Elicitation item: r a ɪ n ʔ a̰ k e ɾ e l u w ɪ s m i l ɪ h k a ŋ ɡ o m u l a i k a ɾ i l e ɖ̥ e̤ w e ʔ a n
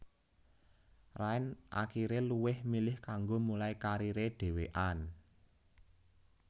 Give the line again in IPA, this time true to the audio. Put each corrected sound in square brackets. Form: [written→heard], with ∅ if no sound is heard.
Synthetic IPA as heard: r a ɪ n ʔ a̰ k [e→i] ɾ e l u w ɪ [s→h] m i l ɪ h k a ŋ ɡ o m u l a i k a ɾ i [l→ɾ] e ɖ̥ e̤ w e ʔ a n